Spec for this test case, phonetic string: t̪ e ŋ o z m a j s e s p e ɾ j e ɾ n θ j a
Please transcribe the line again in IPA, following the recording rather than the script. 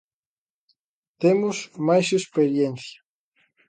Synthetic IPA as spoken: t̪ e m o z m a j s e s p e ɾ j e n θ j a